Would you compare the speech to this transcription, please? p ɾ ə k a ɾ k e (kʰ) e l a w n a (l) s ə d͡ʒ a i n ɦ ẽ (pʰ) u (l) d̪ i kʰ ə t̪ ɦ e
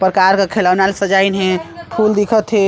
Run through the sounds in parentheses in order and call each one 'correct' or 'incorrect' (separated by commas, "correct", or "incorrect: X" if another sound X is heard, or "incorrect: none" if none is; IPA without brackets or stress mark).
correct, correct, correct, correct